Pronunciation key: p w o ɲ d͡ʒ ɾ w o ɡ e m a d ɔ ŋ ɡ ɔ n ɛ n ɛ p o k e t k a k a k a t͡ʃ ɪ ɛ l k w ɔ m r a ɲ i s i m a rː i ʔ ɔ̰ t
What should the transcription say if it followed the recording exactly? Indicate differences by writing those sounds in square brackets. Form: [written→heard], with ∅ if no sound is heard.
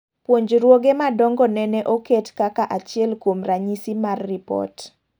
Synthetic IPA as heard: p w o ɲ d͡ʒ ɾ w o ɡ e m a d ɔ ŋ ɡ ɔ n ɛ n ɛ [p→ʔ] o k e t k a k a [k→ʔ] a t͡ʃ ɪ ɛ l k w [ɔ→o] m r a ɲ i s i m a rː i [ʔ→p] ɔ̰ t